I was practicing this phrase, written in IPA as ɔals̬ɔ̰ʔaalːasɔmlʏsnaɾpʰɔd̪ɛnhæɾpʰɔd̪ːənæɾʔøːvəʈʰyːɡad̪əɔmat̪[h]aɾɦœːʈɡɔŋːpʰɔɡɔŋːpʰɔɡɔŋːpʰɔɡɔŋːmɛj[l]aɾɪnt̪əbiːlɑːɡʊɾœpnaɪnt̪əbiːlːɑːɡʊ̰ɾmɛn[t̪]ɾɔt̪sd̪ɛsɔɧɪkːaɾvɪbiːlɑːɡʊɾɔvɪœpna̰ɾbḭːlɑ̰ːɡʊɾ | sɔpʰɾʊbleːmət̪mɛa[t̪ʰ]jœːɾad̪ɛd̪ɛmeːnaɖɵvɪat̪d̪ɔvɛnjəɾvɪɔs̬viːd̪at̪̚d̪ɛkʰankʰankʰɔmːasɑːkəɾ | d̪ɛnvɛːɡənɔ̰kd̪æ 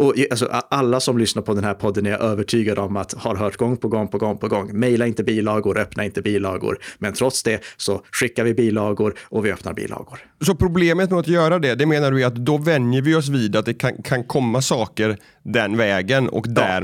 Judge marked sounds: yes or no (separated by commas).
yes, yes, no, no